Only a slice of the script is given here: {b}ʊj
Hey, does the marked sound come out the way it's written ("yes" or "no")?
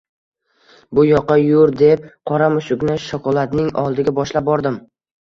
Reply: yes